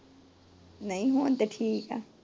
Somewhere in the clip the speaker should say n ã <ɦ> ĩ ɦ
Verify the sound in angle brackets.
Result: incorrect: none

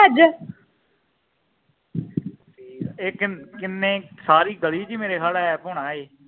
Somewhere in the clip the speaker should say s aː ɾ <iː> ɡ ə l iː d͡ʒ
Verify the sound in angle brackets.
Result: correct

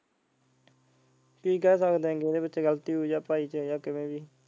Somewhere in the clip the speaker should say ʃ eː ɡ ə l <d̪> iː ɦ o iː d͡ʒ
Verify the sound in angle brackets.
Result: incorrect: t̪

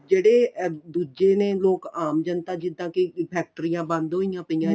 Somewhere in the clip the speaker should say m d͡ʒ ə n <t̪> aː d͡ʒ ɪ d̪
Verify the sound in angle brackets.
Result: correct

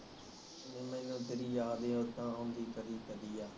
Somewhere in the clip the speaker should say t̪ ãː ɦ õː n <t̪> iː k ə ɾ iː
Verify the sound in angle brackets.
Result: incorrect: d̪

